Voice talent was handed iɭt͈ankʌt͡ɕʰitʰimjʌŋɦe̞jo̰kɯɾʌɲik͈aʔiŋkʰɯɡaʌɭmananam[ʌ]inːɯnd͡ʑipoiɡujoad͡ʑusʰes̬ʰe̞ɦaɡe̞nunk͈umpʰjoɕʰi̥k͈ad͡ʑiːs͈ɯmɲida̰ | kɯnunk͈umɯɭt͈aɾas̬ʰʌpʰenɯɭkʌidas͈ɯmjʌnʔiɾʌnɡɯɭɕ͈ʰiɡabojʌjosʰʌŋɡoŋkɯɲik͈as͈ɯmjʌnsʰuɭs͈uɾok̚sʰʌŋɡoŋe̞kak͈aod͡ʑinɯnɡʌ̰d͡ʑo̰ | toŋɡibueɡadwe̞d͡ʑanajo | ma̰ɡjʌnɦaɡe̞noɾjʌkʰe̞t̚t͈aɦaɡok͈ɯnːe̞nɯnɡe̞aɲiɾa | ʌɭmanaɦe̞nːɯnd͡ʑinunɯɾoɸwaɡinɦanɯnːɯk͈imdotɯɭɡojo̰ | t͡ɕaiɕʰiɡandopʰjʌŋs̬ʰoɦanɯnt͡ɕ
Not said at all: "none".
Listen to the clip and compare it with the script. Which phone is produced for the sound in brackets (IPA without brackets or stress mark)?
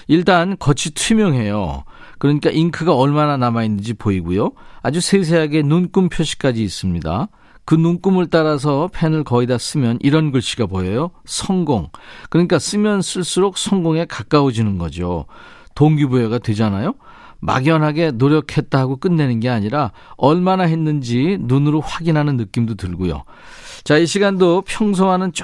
a